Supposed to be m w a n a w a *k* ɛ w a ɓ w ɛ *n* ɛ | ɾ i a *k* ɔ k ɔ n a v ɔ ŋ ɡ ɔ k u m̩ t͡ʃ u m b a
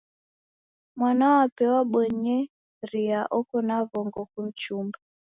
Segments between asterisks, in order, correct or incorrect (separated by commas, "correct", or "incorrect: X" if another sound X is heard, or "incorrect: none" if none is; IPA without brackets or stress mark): incorrect: p, incorrect: ɲ, incorrect: ʔ